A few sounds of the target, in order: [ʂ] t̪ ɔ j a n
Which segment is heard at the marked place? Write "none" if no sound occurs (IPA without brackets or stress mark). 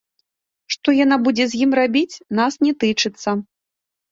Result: ʂ